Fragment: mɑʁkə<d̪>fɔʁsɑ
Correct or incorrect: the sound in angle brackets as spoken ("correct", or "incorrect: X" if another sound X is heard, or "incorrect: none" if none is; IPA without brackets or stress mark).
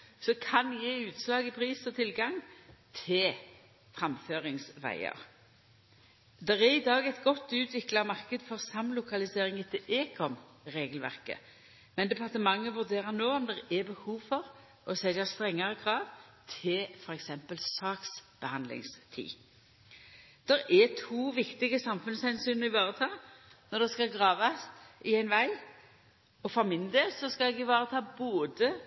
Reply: correct